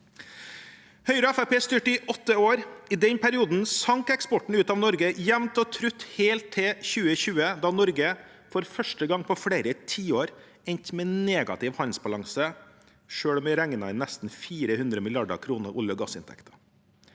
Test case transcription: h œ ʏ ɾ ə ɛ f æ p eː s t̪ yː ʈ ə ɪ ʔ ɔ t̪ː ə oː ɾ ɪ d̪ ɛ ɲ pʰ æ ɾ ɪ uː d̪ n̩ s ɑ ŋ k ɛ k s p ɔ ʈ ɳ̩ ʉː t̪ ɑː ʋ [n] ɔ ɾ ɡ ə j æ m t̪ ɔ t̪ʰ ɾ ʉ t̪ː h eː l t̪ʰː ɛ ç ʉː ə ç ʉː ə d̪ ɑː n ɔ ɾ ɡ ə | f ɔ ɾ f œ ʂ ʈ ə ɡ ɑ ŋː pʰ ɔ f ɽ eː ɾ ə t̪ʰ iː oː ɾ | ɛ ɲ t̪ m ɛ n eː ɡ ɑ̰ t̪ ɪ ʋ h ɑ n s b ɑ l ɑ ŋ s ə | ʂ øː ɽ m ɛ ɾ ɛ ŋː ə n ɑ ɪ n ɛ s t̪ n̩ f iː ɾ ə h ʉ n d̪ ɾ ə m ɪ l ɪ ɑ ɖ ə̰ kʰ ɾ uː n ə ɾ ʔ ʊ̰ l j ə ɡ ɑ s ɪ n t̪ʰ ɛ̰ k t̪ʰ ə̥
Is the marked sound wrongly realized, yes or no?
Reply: no